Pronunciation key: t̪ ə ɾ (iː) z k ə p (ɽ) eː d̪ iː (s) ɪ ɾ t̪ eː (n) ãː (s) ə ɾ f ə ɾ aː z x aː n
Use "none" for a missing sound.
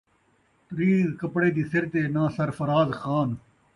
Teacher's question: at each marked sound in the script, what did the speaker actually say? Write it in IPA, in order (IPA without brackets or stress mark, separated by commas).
iː, ɽ, s, n, s